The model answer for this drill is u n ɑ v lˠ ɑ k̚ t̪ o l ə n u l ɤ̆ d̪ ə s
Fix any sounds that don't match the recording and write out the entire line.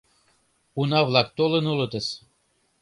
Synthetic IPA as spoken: u n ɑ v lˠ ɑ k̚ t̪ o l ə n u l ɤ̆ t̪ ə s